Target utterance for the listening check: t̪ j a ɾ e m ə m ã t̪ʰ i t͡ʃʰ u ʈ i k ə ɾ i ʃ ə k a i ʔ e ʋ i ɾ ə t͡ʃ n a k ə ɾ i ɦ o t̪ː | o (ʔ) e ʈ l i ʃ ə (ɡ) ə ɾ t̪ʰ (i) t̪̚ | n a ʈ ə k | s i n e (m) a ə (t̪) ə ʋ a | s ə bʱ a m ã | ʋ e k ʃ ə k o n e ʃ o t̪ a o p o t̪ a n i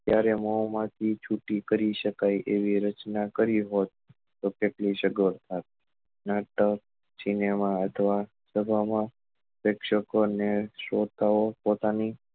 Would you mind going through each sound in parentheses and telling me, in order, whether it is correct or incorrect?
incorrect: k, correct, incorrect: a, correct, incorrect: t̪ʰ

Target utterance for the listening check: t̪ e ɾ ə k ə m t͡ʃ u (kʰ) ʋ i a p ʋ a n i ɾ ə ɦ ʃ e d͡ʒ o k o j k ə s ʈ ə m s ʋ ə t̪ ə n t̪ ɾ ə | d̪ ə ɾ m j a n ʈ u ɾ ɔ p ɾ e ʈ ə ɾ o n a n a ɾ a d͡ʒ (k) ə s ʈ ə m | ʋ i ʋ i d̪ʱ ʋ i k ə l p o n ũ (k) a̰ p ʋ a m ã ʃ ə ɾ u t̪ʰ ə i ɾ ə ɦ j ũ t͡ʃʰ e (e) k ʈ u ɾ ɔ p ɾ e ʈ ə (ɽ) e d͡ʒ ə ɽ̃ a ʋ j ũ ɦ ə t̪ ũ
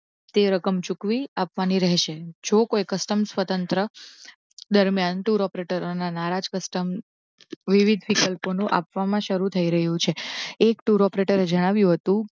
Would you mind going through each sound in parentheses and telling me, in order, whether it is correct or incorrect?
incorrect: k, correct, incorrect: ʔ, correct, incorrect: ɾ

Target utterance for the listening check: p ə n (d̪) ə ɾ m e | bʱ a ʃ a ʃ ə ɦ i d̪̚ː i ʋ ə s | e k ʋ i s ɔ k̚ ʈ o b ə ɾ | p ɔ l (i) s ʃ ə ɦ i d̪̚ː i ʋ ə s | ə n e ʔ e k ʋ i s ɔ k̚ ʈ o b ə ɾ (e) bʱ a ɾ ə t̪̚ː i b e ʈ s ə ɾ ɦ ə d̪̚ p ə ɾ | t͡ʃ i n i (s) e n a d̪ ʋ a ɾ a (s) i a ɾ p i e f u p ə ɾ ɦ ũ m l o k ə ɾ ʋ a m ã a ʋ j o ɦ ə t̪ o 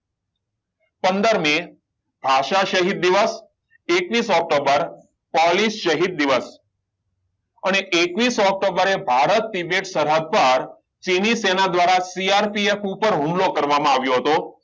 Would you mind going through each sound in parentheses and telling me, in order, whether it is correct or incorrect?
correct, correct, correct, correct, correct

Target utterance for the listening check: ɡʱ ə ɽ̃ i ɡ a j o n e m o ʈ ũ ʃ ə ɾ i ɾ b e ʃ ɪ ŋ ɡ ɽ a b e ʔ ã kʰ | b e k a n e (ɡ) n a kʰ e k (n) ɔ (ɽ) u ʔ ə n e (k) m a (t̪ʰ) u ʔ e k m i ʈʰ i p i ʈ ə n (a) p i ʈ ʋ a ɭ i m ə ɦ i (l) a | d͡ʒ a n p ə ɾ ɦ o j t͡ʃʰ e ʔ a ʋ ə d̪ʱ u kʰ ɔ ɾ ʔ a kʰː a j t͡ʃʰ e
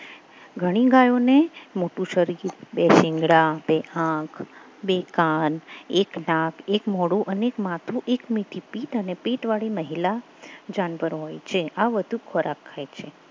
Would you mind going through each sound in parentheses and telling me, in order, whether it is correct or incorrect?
incorrect: k, incorrect: m, correct, correct, correct, incorrect: e, correct

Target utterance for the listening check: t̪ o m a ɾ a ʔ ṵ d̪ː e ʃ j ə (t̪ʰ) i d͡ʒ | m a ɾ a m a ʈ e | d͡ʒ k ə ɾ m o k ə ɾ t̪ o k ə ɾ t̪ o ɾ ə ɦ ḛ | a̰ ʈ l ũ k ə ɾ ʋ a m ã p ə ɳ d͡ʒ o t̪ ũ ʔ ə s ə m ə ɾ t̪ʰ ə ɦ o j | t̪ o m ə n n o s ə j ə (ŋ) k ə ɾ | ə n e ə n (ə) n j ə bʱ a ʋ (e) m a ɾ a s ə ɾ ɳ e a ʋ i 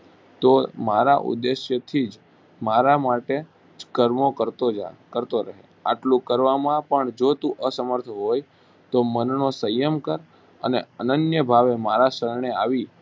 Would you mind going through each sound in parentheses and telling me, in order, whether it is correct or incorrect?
correct, incorrect: m, correct, correct

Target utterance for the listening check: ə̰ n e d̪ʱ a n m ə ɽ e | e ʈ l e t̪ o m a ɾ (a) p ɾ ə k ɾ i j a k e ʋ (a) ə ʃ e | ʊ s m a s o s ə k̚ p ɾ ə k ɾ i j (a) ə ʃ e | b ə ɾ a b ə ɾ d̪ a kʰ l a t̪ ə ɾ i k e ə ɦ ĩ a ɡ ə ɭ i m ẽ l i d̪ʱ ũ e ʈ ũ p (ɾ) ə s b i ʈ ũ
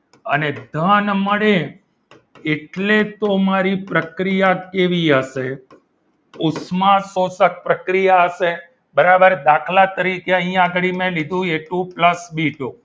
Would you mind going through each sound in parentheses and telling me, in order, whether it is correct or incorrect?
incorrect: i, incorrect: i, correct, incorrect: l

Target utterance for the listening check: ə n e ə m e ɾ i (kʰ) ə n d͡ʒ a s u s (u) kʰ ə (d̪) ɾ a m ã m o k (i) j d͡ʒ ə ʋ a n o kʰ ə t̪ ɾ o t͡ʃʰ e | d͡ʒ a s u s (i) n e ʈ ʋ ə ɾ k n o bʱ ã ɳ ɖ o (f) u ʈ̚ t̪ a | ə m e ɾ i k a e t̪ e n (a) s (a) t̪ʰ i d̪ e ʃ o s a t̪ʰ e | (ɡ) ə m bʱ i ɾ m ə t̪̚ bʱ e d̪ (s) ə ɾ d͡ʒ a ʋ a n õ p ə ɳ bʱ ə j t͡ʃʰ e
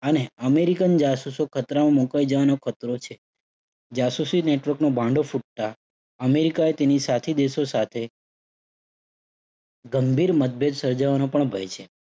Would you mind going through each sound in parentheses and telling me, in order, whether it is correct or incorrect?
incorrect: k, incorrect: o, incorrect: t̪, incorrect: a, correct, correct, incorrect: i, correct, correct, correct

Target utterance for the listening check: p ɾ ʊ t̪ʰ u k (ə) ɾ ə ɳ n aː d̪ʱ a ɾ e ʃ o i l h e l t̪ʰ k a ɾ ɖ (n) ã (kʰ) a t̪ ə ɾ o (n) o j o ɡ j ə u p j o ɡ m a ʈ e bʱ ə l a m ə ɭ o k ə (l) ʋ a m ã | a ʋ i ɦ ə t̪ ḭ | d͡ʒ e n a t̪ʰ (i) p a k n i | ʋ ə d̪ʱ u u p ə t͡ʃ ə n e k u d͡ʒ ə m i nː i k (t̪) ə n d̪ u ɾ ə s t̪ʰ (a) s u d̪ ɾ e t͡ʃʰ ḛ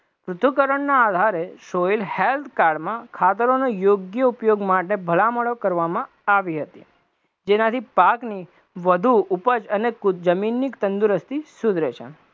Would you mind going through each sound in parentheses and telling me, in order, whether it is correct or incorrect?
correct, incorrect: m, correct, correct, incorrect: ɾ, correct, correct, incorrect: i

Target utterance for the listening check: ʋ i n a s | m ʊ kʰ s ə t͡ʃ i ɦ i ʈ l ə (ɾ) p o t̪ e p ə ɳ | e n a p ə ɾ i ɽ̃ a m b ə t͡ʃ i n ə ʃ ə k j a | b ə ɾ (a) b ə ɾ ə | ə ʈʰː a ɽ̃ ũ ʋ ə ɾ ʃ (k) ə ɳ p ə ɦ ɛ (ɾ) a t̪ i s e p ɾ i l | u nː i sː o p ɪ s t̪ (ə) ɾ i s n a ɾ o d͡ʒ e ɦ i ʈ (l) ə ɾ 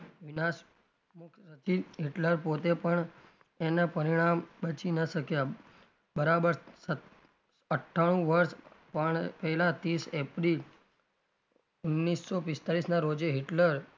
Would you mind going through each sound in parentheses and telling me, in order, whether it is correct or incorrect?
correct, correct, incorrect: p, incorrect: l, incorrect: a, correct

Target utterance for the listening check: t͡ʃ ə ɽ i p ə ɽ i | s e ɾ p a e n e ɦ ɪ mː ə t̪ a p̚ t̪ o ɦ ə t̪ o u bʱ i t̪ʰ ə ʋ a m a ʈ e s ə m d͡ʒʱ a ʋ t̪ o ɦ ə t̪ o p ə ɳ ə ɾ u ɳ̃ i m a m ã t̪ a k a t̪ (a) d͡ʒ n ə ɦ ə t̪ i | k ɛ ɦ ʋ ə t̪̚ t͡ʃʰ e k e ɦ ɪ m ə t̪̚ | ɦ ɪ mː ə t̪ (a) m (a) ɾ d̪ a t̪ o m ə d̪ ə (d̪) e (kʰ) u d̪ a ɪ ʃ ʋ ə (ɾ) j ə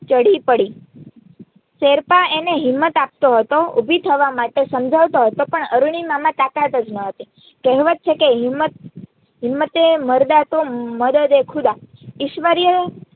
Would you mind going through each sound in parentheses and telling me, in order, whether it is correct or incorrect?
incorrect: ə, incorrect: e, incorrect: ə, correct, correct, correct

